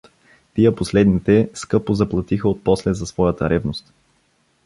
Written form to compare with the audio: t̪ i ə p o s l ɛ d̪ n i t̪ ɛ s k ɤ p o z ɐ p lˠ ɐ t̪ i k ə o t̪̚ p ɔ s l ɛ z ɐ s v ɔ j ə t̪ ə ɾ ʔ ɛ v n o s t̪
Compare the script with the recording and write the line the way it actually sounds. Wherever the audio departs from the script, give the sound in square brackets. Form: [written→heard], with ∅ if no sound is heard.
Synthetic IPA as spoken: t̪ i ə p o s l ɛ d̪ n i t̪ ɛ s k ɤ p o z ɐ p lˠ ɐ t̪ i [k→x] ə o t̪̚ p ɔ s l ɛ z ɐ s v ɔ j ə t̪ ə ɾ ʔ ɛ v n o s t̪

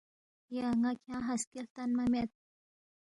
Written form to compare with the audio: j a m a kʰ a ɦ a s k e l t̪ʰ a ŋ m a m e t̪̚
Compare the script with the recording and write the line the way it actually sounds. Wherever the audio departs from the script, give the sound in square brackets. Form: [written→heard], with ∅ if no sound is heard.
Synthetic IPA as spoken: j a [m→ŋ] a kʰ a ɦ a s k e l [t̪ʰ→t̪] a [ŋ→n] m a m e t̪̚

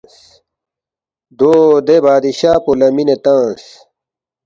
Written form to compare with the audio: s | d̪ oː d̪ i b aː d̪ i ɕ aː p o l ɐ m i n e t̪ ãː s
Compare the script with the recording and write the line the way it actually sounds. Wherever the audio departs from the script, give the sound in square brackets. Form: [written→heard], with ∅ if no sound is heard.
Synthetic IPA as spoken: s | d̪ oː d̪ [i→e] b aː d̪ i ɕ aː p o l ɐ m i n e t̪ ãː s

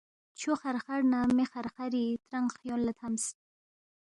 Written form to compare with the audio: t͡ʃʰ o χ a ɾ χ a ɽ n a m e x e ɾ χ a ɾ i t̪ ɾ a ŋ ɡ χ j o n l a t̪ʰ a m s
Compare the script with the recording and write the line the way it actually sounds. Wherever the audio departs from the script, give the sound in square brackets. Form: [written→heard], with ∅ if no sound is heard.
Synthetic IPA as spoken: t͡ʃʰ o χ a ɾ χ a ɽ n a m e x [e→a] ɾ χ a ɾ i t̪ ɾ a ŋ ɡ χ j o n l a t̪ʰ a m s

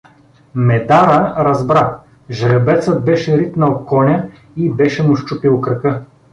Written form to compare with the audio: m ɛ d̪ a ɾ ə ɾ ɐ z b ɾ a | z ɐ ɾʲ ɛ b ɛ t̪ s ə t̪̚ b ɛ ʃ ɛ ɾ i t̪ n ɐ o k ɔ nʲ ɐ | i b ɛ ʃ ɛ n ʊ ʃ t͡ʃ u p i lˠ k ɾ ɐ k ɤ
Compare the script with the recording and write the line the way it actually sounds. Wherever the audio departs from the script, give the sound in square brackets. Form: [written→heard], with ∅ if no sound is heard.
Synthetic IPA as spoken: m ɛ d̪ a ɾ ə ɾ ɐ z b ɾ a | [z→ʒ] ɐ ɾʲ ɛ b ɛ t̪ s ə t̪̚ b ɛ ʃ ɛ ɾ i t̪ n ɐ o k ɔ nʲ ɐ | i b ɛ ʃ ɛ [n→m] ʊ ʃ t͡ʃ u p i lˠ k ɾ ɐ k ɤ

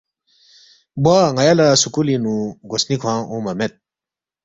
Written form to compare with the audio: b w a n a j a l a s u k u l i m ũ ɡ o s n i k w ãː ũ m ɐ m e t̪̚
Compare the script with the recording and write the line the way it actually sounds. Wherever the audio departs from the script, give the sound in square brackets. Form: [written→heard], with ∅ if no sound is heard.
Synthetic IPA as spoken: b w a [n→ŋ] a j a l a s u k u l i [m→n] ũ ɡ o s n i [k→kʰ] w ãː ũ m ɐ m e t̪̚

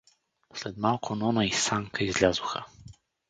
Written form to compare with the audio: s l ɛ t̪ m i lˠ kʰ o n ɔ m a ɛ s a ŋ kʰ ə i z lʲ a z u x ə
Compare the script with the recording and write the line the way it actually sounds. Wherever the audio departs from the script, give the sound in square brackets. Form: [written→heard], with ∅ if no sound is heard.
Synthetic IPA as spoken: s l ɛ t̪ m [i→a] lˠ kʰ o n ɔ [m→n] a [ɛ→i] s a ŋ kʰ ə i z lʲ a z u x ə

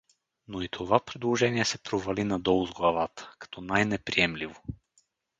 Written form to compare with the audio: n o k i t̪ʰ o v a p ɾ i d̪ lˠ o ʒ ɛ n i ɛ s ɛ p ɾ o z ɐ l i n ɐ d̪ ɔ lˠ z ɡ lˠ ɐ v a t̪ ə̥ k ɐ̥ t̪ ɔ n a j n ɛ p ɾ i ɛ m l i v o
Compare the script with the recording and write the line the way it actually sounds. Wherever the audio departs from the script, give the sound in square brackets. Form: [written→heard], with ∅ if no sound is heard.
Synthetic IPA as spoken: n o [k→∅] i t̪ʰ o v a p ɾ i d̪ lˠ o ʒ ɛ n i ɛ s ɛ p ɾ o [z→v] ɐ l i n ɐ d̪ ɔ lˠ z ɡ lˠ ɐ v a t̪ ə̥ k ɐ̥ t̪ ɔ n a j n ɛ p ɾ i ɛ m l i v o

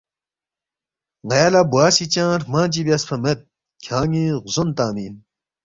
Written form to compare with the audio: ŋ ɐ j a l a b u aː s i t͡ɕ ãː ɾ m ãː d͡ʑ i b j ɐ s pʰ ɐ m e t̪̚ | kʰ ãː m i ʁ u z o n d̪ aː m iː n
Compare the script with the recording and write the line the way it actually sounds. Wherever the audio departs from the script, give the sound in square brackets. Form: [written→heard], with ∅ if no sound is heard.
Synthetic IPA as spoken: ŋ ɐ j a l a b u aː s i t͡ɕ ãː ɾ m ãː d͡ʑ i b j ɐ s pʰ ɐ m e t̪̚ | kʰ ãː [m→ŋ] i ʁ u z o n [d̪→t̪] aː m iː n

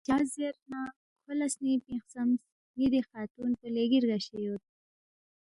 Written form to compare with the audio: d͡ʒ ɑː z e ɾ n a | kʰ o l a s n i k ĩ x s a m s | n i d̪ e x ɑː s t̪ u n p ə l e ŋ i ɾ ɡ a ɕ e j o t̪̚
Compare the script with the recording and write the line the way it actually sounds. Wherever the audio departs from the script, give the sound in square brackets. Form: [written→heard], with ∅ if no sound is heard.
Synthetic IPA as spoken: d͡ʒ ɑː z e ɾ n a | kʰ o l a s n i [k→p] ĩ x s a m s | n i d̪ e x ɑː [s→∅] t̪ u n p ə l e [ŋ→ɡ] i ɾ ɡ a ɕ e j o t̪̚

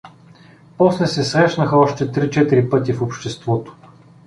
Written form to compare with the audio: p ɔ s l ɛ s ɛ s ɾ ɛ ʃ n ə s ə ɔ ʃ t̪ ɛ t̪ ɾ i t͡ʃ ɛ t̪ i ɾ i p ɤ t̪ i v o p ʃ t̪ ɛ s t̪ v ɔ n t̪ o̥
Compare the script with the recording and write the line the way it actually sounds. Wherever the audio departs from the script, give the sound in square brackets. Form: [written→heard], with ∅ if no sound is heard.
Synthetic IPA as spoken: p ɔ s l ɛ s ɛ s ɾ ɛ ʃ n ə [s→x] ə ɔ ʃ t̪ ɛ t̪ ɾ i t͡ʃ ɛ t̪ i ɾ i p ɤ t̪ i [v→f] o p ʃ t̪ ɛ s t̪ v ɔ [n→∅] t̪ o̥

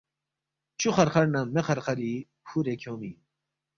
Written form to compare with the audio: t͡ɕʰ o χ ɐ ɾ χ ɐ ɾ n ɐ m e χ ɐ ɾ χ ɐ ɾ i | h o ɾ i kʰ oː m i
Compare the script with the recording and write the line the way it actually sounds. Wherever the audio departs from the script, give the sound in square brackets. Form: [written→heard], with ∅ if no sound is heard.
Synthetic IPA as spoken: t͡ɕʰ [o→u] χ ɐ ɾ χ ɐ ɾ n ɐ m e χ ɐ ɾ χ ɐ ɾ i | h [o→u] ɾ [i→e] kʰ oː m i

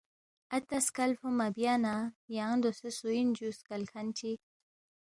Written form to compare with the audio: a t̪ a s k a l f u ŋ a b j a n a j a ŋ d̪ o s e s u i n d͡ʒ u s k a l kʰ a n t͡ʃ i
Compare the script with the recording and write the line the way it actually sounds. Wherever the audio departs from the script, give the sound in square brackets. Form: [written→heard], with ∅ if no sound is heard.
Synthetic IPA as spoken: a t̪ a s k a l f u [ŋ→m] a b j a n a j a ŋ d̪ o s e s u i n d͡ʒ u s k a l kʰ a n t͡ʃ i

